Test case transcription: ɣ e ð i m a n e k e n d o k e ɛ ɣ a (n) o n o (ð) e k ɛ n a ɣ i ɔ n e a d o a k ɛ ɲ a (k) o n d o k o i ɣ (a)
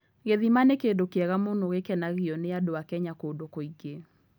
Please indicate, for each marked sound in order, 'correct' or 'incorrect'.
incorrect, incorrect, correct, incorrect

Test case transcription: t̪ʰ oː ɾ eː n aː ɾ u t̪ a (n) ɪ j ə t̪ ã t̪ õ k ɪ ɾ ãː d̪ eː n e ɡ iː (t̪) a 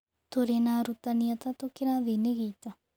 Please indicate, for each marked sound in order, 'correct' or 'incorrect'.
correct, correct

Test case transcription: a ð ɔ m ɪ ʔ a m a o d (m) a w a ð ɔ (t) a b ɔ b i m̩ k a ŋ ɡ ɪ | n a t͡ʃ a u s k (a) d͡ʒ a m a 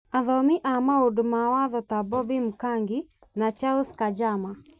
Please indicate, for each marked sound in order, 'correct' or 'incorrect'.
correct, correct, correct

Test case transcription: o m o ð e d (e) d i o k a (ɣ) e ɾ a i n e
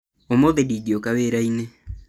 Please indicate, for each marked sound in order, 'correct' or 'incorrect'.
incorrect, incorrect

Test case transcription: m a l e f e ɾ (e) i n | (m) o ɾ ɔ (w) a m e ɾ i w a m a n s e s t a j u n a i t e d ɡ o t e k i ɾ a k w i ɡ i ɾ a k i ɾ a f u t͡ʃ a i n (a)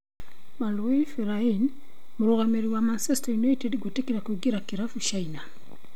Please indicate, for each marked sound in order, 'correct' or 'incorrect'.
incorrect, correct, incorrect, correct

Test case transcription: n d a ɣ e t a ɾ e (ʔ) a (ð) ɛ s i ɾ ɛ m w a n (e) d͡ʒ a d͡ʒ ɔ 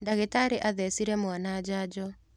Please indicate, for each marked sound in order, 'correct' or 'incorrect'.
correct, correct, incorrect

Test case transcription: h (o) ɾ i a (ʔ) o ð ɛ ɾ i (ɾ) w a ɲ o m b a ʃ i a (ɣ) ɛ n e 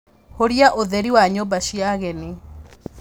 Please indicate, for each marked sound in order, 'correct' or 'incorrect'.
correct, correct, incorrect, correct

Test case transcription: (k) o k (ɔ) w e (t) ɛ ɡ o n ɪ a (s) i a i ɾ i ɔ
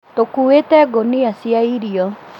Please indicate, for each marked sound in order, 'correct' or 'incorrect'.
incorrect, incorrect, correct, correct

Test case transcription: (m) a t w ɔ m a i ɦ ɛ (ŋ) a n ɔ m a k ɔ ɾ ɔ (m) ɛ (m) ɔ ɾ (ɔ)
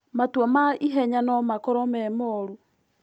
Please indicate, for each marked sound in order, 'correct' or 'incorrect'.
correct, incorrect, correct, correct, incorrect

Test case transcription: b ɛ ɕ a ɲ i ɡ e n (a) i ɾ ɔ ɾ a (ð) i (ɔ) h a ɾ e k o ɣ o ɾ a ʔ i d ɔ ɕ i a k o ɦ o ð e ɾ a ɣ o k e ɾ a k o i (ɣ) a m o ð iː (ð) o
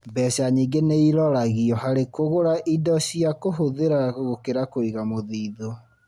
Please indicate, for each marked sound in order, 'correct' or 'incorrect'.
incorrect, incorrect, correct, correct, correct

